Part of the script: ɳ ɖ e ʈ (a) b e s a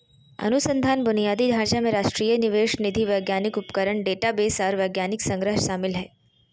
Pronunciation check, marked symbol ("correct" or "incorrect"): correct